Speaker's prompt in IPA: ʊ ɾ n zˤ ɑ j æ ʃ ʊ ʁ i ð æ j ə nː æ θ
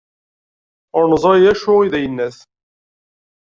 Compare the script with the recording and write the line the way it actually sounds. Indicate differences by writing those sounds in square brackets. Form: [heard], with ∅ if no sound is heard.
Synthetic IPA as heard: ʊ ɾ n zˤ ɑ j æ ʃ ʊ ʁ i ð æ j ə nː æ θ